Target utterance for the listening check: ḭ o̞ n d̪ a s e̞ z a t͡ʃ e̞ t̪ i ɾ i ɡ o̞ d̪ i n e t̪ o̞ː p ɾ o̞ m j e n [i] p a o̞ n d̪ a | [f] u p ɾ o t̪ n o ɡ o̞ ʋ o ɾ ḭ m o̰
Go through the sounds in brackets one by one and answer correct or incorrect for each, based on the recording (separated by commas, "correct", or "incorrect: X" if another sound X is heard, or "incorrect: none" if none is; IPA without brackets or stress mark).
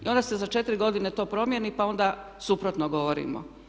correct, incorrect: s